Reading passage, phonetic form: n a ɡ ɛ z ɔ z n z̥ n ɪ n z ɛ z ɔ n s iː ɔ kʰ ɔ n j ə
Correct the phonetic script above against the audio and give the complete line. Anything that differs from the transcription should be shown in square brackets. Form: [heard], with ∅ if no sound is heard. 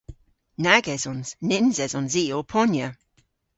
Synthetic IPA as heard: n a ɡ ɛ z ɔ [∅] n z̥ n ɪ n z ɛ z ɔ n [z] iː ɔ [pʰ] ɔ n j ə